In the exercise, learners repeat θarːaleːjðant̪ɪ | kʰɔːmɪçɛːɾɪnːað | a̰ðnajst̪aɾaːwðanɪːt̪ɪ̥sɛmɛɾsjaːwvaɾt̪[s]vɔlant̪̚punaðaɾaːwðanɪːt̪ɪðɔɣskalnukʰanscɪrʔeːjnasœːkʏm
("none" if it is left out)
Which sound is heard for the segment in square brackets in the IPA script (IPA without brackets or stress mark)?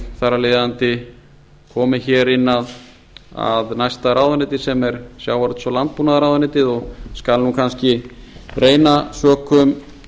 s